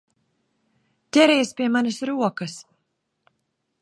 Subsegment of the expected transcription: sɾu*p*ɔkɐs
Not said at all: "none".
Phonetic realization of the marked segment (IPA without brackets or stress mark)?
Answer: none